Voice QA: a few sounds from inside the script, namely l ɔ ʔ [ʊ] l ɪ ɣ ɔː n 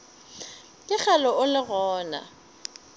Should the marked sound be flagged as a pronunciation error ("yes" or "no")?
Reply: no